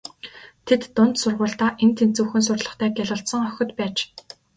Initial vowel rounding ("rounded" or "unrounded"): unrounded